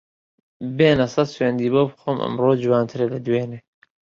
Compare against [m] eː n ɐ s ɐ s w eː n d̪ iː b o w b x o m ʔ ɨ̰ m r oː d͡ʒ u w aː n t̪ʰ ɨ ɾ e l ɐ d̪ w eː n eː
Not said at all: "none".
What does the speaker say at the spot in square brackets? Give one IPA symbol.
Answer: b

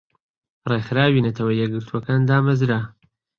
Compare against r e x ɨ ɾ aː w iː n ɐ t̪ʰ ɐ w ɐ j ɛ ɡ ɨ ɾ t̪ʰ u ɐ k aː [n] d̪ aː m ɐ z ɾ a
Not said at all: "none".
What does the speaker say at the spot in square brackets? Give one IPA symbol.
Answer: n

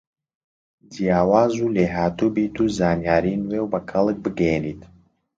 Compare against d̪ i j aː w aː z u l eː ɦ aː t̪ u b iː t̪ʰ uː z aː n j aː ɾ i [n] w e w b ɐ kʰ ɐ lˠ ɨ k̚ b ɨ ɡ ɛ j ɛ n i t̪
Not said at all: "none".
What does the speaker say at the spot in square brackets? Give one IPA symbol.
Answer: n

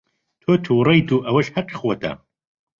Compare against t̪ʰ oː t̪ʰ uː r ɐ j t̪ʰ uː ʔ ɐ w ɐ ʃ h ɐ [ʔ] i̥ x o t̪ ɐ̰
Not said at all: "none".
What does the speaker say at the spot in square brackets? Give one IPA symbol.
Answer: q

